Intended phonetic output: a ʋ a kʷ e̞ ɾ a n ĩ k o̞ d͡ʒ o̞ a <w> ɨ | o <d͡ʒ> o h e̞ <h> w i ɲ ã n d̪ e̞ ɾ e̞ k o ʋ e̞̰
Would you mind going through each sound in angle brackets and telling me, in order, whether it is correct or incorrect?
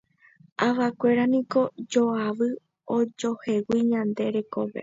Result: incorrect, correct, incorrect

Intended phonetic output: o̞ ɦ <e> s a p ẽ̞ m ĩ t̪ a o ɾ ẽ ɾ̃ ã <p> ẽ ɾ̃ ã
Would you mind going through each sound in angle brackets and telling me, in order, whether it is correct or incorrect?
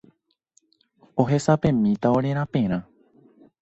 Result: correct, correct

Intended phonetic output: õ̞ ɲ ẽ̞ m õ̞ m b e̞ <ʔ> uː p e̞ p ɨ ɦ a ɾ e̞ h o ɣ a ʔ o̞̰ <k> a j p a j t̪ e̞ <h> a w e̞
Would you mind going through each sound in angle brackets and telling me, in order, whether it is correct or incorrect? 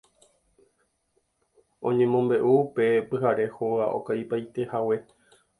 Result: correct, correct, correct

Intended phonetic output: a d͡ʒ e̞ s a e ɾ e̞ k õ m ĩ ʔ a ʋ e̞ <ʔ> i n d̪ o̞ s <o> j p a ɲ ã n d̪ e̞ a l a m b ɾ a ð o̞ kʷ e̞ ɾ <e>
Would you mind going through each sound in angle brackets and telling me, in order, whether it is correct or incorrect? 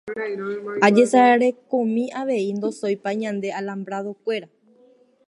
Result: incorrect, correct, incorrect

